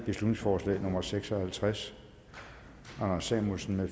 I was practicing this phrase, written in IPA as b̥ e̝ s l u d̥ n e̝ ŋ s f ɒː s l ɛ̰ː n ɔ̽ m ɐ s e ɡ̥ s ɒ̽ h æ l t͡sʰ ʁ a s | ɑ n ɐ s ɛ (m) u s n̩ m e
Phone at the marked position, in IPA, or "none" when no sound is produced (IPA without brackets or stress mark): m